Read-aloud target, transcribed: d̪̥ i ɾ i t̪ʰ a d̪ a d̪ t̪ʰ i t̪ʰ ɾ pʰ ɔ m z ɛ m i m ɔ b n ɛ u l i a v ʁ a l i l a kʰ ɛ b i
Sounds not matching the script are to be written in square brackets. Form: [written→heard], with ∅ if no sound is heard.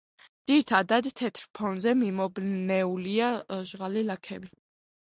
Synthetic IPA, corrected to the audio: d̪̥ i ɾ i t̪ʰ a d̪ a d̪ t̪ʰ [i→ɛ] t̪ʰ ɾ pʰ ɔ [m→n] z ɛ m i m ɔ b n ɛ u l i a [v→ʒ] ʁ a l i l a kʰ ɛ b i